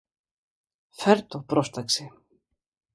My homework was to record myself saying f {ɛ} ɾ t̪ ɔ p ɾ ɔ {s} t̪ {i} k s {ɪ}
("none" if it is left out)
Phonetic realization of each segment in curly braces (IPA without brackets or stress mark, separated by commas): ɛ, s, a, ɪ